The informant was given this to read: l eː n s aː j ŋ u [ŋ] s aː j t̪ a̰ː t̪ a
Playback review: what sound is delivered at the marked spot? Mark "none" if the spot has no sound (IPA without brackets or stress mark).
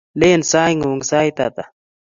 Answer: ŋ